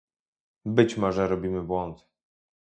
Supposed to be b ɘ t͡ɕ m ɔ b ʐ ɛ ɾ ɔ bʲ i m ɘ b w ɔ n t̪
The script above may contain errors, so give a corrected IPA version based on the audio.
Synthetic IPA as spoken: b ɘ t͡ɕ m ɔ ʐ ɛ ɾ ɔ bʲ i m ɘ b w ɔ n t̪